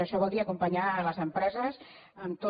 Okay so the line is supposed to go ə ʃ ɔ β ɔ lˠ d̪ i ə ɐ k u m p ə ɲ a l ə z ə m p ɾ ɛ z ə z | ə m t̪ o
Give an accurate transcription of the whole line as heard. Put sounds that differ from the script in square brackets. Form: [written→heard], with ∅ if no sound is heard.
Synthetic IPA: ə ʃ ɔ β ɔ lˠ d̪ i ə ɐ k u m p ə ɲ a l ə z ə m p ɾ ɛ z ə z | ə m t̪ o